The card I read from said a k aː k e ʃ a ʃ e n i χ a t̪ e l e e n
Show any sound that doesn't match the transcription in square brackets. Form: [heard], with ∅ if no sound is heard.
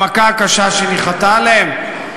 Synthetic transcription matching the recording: a k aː k [a] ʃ a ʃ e n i χ a t̪ [a] l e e [m]